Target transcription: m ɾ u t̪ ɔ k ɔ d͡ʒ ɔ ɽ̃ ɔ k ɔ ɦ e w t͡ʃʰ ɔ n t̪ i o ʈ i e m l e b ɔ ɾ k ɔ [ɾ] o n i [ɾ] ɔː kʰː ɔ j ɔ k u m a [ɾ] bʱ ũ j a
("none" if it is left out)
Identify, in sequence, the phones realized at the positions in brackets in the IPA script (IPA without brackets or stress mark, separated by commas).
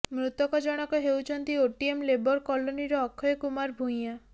l, ɾ, ɾ